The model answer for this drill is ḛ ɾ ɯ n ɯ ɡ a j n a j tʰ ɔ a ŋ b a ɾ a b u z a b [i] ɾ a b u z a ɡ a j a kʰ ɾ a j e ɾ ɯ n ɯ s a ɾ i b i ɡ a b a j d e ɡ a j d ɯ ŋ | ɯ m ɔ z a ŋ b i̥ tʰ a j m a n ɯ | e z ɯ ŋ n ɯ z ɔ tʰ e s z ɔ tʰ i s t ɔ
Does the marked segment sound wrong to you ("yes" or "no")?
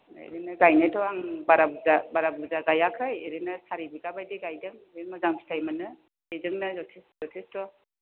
yes